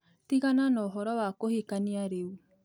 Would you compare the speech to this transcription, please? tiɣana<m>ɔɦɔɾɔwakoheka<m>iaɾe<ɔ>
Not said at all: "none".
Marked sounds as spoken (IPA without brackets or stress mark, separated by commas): n, n, u